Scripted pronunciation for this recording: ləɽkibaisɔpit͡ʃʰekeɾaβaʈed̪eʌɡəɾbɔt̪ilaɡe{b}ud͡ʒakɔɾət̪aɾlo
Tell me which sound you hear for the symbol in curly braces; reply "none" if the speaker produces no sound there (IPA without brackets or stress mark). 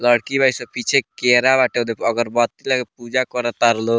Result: p